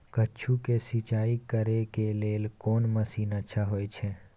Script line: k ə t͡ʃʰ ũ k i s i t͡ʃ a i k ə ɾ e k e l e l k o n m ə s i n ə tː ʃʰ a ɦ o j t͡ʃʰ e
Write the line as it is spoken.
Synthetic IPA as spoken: k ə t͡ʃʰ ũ k e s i t͡ʃ a i k ə ɾ e k e l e l k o n m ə s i n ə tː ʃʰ a ɦ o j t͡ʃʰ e